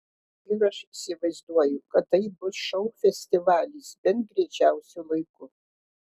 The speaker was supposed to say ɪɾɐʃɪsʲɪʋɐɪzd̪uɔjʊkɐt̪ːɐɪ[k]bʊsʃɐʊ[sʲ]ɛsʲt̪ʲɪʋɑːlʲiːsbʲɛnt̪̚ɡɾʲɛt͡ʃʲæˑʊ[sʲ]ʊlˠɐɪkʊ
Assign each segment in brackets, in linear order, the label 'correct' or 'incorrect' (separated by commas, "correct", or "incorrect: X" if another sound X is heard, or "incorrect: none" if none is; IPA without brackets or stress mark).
incorrect: none, incorrect: fʲ, correct